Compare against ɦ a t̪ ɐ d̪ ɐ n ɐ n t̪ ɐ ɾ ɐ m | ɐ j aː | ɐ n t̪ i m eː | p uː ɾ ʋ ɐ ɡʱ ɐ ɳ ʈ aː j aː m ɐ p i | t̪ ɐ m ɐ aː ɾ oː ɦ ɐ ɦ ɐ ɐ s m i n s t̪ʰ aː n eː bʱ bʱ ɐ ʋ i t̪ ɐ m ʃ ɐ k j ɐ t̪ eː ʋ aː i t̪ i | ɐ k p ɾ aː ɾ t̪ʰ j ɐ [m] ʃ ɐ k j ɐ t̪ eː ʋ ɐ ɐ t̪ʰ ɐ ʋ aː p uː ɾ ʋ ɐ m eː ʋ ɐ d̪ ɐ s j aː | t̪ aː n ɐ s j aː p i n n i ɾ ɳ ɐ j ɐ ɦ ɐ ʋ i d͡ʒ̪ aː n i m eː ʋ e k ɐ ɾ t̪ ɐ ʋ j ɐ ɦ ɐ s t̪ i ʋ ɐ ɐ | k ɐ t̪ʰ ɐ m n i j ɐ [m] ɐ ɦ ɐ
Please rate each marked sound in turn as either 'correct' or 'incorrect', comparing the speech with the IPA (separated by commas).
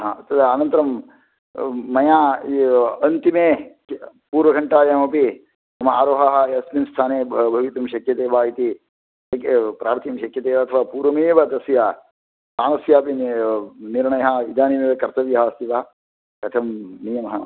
correct, correct